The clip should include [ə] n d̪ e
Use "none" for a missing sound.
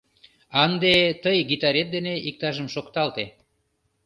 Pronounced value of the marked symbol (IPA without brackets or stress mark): ɑ